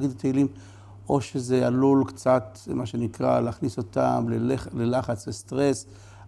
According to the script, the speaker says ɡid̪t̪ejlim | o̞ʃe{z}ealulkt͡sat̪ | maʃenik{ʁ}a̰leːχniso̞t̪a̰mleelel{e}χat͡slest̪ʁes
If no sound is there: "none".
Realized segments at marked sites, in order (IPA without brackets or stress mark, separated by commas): z, ʁ, a